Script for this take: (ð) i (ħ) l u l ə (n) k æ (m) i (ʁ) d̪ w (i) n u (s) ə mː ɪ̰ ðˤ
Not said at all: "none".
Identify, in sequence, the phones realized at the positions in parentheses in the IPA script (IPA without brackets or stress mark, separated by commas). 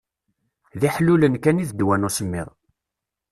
ð, ħ, n, n, ð, æ, s